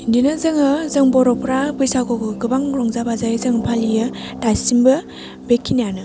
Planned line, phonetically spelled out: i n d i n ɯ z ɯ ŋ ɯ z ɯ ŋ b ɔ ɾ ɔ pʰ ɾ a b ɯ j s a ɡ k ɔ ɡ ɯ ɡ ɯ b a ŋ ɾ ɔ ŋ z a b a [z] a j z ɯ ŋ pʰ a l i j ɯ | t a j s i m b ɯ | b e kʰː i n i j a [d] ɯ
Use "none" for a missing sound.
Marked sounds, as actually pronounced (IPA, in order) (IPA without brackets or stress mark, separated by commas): z, n